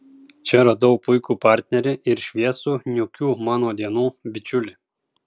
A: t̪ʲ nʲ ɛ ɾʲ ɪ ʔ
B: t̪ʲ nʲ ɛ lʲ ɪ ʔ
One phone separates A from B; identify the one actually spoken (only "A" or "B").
A